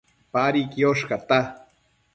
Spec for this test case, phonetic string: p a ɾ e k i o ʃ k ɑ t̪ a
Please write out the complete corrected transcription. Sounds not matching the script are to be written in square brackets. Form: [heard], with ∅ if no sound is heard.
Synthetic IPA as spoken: p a ɾ [i] k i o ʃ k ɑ t̪ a

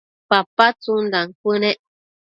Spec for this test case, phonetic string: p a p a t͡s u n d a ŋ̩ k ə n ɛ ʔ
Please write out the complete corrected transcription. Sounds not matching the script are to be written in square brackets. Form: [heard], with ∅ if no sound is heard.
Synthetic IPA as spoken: p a p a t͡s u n d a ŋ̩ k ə n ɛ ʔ

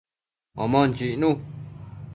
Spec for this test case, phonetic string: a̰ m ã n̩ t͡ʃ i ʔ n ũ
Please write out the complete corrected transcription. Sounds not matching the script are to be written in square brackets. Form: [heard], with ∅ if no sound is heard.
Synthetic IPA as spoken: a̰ m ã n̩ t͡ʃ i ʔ n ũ

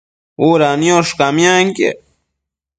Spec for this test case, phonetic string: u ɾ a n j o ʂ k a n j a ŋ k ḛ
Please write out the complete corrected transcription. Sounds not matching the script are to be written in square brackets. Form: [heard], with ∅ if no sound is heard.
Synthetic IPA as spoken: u ɾ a n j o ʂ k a [m] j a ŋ k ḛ

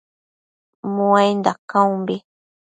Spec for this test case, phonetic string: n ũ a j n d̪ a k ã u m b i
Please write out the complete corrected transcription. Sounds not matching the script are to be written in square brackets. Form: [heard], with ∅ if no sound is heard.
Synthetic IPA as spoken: [m] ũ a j n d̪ a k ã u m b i

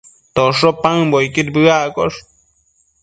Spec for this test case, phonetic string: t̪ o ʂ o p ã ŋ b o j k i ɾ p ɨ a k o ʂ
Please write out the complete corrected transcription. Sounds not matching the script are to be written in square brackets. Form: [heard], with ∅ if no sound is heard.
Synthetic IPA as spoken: t̪ o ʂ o p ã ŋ b o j k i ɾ [b] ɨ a k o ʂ

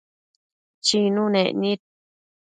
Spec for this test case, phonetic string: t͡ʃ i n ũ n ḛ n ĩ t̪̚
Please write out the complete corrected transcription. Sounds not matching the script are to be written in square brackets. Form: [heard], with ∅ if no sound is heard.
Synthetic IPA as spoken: t͡ʃ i n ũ n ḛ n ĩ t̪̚

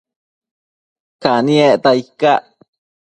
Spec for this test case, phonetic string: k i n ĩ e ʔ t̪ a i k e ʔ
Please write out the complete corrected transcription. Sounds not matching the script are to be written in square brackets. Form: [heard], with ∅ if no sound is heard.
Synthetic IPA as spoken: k [a] n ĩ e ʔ t̪ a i k [a] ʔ

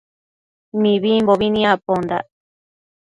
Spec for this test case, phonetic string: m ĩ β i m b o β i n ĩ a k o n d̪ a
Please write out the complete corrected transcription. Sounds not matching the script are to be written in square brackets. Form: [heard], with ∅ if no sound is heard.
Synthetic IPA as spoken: m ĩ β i m b o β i n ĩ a [p] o n d̪ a

